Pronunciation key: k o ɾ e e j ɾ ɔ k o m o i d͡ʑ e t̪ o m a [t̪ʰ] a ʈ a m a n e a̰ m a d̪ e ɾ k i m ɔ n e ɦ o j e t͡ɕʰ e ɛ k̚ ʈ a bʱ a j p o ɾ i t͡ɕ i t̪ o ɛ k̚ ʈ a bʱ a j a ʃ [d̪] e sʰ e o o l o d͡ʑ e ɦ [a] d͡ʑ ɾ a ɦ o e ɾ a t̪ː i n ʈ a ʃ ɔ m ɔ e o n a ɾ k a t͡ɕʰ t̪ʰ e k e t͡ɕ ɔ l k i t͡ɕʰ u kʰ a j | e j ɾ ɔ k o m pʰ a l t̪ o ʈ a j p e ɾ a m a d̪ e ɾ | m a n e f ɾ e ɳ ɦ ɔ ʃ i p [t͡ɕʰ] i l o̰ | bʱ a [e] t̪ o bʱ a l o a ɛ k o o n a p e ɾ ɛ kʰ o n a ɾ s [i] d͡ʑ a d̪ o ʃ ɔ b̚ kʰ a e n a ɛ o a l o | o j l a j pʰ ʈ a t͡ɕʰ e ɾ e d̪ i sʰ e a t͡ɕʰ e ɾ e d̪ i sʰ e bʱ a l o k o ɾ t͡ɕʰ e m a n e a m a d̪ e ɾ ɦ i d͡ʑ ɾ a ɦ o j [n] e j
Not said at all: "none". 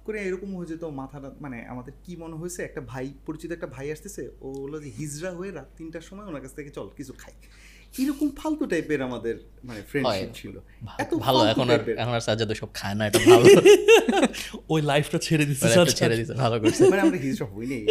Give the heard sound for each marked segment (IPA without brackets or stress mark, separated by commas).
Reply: t̪ʰ, t̪, i, t͡ɕʰ, ɛ, a, n